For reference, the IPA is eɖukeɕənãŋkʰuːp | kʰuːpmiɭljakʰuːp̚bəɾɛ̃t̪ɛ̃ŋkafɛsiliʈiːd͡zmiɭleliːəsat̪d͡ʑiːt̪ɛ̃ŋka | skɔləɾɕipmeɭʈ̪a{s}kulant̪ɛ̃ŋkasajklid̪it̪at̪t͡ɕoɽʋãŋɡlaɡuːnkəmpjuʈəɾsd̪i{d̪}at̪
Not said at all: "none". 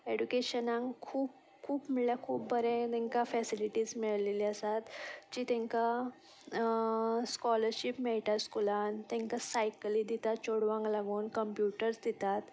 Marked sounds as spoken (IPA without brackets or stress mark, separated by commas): s, t̪